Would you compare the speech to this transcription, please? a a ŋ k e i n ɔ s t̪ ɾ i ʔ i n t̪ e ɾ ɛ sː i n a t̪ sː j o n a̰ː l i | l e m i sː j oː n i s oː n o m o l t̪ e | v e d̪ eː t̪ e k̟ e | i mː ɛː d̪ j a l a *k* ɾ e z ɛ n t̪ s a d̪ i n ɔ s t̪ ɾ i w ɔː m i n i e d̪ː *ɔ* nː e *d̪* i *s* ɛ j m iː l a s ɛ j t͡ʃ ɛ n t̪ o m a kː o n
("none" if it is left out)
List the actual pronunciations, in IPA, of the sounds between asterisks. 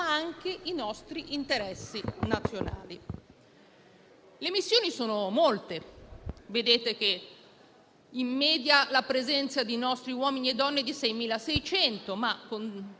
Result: p, ɔ, d̪, s

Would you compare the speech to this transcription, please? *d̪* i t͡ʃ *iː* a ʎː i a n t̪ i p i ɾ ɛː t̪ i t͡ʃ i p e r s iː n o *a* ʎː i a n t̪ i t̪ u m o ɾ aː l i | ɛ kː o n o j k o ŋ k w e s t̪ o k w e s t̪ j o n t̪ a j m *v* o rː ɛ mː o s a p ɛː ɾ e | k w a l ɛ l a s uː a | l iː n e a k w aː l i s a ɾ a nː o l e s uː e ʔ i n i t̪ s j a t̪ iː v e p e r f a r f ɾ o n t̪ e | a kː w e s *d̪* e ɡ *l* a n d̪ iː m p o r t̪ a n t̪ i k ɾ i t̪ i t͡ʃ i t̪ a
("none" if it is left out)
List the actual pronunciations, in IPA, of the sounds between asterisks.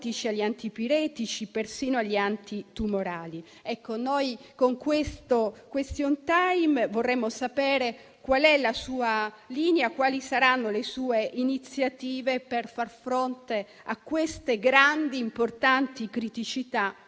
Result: t̪, i, a, v, t̪, ɾ

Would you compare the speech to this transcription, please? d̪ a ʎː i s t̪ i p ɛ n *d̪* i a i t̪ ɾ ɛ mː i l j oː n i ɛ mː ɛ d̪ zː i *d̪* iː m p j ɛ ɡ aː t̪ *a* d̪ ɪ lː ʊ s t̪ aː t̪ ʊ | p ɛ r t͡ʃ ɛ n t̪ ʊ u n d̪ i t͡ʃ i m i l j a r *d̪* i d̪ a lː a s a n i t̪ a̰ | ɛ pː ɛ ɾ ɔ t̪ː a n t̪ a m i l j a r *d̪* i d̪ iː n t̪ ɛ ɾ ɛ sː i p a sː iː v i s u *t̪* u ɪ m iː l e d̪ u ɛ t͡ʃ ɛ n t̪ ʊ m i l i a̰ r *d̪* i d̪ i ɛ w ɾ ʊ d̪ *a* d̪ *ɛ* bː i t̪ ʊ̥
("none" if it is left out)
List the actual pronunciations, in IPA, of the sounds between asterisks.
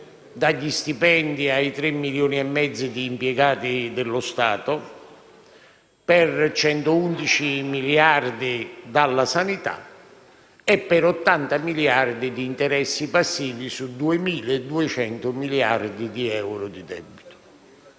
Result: d̪, d̪, i, d̪, d̪, d̪, d̪, i, ɛ

